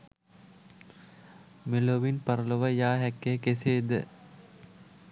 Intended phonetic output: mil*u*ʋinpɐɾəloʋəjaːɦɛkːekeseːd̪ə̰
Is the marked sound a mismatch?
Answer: yes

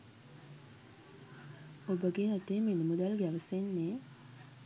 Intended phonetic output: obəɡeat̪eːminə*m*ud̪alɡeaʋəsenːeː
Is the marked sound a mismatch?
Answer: no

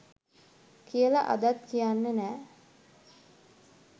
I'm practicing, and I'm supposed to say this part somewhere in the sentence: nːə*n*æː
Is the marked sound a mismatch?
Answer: no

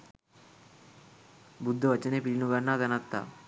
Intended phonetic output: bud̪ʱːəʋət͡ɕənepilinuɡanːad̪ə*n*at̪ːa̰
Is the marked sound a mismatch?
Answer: no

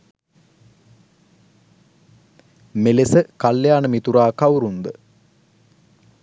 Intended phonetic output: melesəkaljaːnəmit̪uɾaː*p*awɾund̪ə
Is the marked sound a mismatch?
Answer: yes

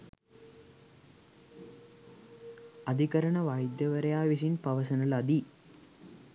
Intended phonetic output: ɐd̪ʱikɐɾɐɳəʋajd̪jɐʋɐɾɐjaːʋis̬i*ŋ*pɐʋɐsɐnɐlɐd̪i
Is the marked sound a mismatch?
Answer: yes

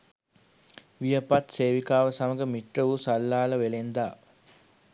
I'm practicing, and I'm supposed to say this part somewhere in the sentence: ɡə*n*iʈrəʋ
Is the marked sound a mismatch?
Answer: yes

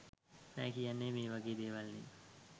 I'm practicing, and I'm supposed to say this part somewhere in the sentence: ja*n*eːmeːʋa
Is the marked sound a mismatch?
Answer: yes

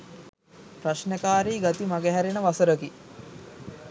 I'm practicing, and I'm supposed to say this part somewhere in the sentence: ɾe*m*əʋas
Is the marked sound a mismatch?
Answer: yes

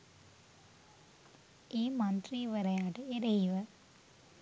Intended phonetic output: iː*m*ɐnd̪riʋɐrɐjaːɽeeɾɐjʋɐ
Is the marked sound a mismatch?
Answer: no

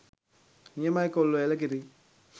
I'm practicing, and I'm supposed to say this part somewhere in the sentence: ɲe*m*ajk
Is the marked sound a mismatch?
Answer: no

